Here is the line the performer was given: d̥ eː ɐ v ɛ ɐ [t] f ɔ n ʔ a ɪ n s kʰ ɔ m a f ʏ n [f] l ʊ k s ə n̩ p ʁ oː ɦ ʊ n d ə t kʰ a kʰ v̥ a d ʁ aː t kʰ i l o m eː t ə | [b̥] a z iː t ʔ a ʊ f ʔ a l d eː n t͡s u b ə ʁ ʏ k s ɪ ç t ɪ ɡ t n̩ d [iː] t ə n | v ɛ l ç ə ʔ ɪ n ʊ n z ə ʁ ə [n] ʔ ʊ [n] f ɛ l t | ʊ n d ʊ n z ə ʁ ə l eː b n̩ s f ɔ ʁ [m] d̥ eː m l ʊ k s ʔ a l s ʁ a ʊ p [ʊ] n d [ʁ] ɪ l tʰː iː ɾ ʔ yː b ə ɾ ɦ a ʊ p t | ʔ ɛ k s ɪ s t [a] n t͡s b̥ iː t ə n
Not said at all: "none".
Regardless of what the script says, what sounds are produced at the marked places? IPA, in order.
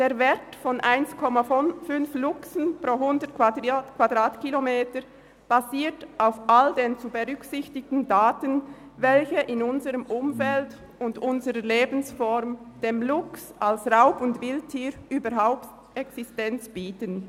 t, f, b̥, aː, m, m, m, ʊ, v, ɛ

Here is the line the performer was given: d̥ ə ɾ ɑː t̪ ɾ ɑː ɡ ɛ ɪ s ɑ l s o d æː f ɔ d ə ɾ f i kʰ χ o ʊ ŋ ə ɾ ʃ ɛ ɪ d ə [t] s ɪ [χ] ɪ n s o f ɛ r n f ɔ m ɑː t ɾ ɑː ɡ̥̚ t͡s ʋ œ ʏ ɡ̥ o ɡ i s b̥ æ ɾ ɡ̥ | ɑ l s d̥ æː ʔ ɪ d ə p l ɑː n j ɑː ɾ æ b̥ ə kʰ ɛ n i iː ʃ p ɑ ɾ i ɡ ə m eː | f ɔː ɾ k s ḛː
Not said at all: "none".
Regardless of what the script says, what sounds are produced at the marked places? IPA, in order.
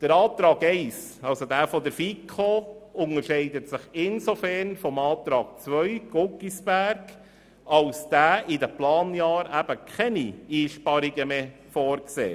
t, χ

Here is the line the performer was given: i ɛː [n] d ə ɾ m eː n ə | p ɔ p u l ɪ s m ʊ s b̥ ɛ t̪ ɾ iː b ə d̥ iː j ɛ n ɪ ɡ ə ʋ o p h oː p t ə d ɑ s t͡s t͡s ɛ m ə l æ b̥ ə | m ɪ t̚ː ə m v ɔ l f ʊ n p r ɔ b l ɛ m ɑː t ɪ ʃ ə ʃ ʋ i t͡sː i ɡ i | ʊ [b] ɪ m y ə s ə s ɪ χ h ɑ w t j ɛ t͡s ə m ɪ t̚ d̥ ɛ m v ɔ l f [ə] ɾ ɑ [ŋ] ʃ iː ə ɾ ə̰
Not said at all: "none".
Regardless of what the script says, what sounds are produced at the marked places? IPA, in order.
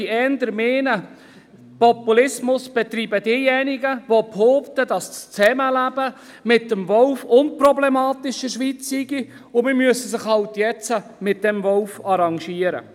n, m, ɑ, ŋ

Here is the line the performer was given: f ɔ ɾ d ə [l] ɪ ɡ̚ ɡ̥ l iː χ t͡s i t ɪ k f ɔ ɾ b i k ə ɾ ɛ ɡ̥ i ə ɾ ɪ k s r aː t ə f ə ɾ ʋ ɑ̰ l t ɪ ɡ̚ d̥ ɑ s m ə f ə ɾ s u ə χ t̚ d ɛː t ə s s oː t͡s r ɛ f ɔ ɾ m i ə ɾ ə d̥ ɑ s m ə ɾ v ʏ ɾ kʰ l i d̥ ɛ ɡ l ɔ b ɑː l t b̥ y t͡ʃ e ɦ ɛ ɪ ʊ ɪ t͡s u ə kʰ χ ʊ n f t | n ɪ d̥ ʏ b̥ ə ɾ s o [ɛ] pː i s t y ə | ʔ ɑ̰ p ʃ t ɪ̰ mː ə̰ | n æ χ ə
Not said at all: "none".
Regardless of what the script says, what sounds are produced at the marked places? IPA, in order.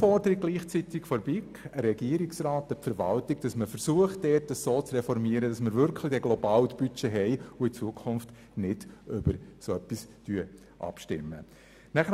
ɾ, œ

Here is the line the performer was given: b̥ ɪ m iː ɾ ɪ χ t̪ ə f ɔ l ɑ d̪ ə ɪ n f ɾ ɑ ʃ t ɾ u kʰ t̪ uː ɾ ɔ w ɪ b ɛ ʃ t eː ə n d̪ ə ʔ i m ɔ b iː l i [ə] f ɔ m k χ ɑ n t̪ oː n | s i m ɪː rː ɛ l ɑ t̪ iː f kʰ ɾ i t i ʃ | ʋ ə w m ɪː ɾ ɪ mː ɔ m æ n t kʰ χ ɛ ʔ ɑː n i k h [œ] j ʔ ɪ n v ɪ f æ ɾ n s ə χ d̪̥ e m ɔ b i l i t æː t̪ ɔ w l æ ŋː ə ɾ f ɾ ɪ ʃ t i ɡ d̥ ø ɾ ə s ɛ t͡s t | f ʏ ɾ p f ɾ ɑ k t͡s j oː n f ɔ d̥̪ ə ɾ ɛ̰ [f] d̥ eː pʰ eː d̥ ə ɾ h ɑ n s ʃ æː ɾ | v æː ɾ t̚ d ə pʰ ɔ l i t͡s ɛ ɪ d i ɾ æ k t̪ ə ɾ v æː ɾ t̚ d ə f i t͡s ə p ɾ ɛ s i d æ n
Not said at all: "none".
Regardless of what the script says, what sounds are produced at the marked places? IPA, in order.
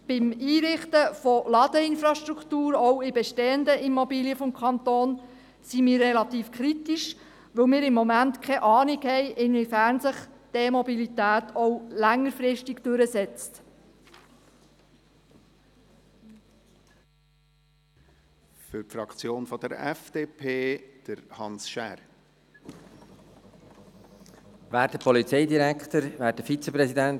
ə, ɛ, f

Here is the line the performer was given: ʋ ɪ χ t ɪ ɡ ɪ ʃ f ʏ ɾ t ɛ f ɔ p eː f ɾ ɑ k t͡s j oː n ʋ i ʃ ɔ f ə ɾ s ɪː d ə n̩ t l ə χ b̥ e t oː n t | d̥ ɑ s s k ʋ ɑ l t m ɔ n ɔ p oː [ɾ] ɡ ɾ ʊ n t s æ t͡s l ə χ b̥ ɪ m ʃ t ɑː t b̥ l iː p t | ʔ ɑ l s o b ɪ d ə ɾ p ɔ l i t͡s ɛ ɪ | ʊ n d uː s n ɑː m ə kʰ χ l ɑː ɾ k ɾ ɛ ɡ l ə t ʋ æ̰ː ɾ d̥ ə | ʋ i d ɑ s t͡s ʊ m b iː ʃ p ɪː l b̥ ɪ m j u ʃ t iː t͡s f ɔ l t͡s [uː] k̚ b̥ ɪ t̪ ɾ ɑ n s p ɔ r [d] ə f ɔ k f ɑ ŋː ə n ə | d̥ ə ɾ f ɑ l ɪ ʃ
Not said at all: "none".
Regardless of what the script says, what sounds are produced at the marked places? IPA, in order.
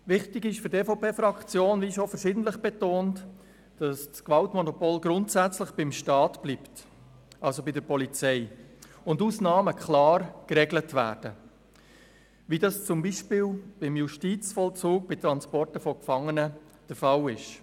l, uː, t

